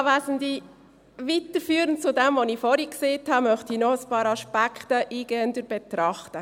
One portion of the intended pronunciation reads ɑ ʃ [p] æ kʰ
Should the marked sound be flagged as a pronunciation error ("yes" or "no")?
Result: no